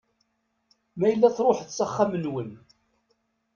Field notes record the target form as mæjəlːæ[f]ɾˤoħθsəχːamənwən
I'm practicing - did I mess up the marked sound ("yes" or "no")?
yes